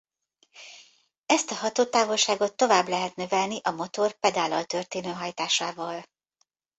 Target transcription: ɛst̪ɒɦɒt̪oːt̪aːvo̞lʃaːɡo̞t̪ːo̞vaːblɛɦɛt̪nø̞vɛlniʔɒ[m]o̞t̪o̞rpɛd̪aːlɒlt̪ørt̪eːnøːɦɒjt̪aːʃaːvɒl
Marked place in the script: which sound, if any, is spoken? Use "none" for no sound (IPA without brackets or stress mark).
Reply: m